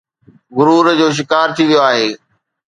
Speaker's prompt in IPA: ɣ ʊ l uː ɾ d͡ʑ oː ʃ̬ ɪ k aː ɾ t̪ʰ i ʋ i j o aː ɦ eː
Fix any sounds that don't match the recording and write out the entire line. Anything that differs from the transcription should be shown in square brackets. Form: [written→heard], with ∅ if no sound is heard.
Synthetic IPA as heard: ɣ ʊ [l→ɾ] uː ɾ d͡ʑ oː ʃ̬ ɪ k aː ɾ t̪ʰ i ʋ i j o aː ɦ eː